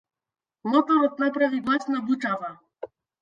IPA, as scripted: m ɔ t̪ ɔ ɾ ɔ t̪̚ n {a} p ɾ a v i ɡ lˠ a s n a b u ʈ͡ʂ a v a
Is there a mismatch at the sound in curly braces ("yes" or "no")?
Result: no